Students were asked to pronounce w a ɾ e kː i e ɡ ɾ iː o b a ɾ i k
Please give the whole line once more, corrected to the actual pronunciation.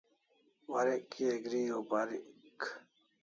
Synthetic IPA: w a ɾ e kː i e ɡ ɾ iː o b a ɾ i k